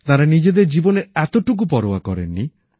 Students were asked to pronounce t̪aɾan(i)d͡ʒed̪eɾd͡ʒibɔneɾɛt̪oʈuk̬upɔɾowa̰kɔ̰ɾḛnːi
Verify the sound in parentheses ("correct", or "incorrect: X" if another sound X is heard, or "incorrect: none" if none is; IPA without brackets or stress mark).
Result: correct